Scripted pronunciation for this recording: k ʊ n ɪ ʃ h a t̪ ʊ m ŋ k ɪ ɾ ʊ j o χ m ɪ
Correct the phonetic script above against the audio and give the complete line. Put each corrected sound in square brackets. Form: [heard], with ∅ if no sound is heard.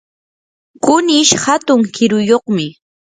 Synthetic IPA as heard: k ʊ n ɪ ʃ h a t̪ ʊ [∅] ŋ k ɪ ɾ ʊ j o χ m ɪ